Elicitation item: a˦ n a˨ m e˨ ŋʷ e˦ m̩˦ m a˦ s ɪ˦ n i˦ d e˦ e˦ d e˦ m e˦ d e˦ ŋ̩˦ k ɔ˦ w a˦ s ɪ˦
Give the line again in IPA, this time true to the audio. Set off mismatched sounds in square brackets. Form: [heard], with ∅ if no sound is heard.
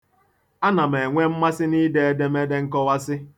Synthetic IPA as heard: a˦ n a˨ m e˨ ŋʷ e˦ m̩˦ m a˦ s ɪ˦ n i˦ d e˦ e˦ d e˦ m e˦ d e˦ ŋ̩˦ k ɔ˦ w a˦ s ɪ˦

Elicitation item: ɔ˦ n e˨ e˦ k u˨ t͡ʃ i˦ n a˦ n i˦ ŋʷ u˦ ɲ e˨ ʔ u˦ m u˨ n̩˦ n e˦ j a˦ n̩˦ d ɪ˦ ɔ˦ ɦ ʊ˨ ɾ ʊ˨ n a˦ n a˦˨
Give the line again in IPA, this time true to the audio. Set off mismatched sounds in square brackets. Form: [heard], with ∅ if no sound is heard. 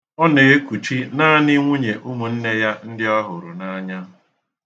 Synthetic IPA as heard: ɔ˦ n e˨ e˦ k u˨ t͡ʃ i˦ n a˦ n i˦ ŋʷ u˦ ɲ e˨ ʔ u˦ m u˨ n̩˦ n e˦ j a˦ n̩˦ d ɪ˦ ɔ˦ ɦ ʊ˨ ɾ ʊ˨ n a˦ [ɲ] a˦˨

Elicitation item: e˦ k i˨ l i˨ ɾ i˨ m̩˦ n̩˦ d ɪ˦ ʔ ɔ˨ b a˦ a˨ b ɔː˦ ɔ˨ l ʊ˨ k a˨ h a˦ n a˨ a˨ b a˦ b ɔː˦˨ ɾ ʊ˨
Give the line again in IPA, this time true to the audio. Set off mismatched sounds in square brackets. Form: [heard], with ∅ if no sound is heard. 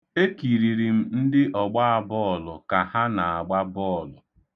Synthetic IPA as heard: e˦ k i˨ [ɾ] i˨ ɾ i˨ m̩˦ n̩˦ d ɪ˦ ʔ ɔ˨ [ɡ͡b] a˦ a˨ b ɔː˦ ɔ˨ l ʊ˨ k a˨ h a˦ n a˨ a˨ [ɡ͡b] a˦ b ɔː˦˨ [l] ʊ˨

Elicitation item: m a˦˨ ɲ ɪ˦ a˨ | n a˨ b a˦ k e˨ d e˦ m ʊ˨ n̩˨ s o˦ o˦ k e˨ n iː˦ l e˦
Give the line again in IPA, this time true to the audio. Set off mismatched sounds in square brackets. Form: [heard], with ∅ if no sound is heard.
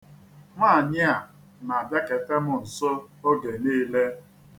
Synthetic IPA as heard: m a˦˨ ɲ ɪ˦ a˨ | n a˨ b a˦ k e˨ [t] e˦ m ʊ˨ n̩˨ s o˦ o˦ [ɡ] e˨ n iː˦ l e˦

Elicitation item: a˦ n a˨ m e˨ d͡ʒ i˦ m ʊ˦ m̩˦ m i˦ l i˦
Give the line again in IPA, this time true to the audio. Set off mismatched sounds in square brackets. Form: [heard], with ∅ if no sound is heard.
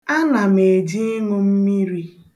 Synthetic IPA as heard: a˦ n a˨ m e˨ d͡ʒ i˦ [ŋ] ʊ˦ m̩˦ m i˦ [ɾ] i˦

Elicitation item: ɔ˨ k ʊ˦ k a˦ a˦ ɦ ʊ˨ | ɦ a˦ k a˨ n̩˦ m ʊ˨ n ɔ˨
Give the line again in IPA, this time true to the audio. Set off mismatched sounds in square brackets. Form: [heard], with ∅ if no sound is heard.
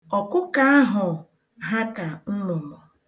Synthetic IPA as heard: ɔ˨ k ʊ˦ k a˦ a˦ ɦ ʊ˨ | ɦ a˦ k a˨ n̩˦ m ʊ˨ [m] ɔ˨

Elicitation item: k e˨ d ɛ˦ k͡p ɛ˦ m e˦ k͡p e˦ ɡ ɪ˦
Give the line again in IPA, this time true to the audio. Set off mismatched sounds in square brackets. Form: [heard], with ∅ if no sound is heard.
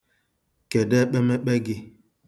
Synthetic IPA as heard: k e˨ d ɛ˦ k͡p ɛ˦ m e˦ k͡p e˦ ɡ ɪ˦

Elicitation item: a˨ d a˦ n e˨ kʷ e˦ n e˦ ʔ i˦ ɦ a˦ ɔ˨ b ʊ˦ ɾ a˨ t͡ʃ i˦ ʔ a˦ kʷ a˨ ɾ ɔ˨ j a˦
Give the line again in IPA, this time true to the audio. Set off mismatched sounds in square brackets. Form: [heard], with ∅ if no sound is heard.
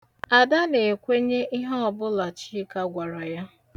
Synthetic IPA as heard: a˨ d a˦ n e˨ kʷ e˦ [ɲ] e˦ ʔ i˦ ɦ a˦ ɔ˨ b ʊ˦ [l] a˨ t͡ʃ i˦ [k] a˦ [ɡʷ] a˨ ɾ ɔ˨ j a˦

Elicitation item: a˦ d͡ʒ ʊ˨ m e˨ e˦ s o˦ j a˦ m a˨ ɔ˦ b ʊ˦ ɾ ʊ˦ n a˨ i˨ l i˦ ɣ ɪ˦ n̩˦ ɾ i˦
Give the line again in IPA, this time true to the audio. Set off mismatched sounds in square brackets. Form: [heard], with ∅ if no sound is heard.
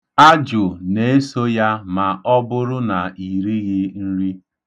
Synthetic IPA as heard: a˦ d͡ʒ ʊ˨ [n] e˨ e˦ s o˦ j a˦ m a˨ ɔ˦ b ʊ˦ ɾ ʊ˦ n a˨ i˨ [ɾ] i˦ ɣ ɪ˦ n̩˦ ɾ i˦

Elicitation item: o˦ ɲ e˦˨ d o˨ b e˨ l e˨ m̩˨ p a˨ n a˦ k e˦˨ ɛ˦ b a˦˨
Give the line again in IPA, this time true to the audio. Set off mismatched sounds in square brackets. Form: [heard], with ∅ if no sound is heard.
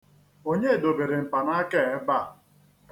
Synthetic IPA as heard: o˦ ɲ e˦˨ d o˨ b e˨ [ɾ] e˨ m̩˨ p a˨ n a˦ k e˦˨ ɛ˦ b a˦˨

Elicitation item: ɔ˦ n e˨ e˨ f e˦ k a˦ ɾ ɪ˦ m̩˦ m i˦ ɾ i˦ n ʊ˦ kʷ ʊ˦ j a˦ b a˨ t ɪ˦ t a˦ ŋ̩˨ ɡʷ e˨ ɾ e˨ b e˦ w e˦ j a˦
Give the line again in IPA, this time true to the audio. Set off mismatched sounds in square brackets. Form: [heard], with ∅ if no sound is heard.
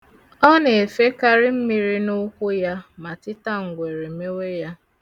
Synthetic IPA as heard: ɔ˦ n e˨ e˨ f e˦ k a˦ ɾ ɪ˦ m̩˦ m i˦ ɾ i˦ n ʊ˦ kʷ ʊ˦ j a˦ [m] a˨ t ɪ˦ t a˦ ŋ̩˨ ɡʷ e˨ ɾ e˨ [m] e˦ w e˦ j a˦

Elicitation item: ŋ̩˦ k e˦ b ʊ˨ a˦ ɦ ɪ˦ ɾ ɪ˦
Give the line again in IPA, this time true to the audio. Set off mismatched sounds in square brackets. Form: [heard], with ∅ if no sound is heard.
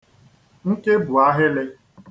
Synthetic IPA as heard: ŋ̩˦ k e˦ b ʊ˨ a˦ ɦ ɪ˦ [l] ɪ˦

